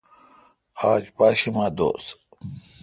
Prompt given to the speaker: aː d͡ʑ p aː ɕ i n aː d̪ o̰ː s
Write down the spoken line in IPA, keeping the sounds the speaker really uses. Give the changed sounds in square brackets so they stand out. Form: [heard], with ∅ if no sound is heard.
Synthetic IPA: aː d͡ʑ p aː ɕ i [m] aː d̪ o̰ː s